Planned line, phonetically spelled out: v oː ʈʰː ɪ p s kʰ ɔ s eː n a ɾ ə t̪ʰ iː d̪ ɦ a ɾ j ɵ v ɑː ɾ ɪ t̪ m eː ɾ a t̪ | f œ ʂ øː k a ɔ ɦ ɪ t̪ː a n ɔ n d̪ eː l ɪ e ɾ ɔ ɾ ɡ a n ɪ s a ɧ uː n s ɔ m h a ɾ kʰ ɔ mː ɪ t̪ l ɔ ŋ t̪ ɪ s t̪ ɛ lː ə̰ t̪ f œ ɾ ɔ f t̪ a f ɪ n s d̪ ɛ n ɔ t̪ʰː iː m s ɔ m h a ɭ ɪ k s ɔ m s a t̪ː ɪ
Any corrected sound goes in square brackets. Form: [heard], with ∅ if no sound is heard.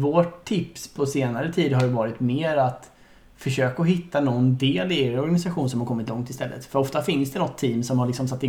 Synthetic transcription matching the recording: v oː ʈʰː ɪ p s [pʰ] ɔ s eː n a ɾ ə t̪ʰ iː d̪ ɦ a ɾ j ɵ v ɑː ɾ ɪ t̪ m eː ɾ a t̪ | f œ ʂ øː k a ɔ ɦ ɪ t̪ː a n ɔ n d̪ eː l ɪ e ɾ ɔ ɾ ɡ a n ɪ s a ɧ uː n s ɔ m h a ɾ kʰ ɔ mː ɪ t̪ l ɔ ŋ t̪ ɪ s t̪ ɛ lː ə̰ t̪ f œ ɾ ɔ f t̪ a f ɪ n s d̪ ɛ n ɔ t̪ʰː iː m s ɔ m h a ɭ ɪ k s ɔ m s a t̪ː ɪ